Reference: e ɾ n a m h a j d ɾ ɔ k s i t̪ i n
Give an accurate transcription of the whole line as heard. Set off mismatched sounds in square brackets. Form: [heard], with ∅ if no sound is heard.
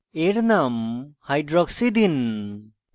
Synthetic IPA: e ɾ n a m h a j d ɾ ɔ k s i [d̪] i n